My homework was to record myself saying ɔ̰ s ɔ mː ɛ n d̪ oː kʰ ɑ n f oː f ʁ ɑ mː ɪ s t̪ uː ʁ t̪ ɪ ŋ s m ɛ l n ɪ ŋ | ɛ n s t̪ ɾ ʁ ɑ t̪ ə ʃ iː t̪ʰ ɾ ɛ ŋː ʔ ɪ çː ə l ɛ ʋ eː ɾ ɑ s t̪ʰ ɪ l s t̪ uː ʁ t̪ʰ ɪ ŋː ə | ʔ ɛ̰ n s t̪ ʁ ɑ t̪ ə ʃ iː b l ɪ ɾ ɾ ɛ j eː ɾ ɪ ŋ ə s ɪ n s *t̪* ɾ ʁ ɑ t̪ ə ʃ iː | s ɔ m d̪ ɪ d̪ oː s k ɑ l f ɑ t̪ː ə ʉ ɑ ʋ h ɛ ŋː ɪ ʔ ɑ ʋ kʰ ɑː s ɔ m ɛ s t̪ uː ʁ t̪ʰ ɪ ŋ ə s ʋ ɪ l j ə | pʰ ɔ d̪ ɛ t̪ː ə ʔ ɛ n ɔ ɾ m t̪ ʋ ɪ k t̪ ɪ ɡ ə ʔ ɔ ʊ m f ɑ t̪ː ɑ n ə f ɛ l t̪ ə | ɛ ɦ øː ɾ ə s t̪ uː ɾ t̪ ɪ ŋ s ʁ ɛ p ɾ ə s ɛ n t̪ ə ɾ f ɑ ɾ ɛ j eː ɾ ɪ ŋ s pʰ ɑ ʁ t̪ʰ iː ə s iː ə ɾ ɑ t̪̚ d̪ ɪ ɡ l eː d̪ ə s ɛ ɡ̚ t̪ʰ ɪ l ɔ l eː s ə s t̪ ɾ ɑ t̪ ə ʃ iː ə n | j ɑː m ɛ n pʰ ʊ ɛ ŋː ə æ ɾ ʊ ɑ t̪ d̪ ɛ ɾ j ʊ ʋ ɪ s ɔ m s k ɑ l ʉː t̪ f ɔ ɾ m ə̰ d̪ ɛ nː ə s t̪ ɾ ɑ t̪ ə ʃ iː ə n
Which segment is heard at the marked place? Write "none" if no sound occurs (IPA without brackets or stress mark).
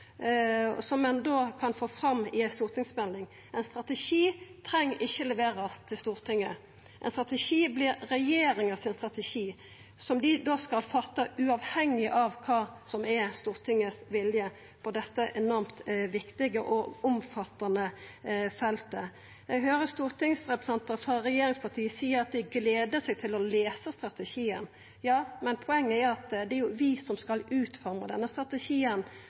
t̪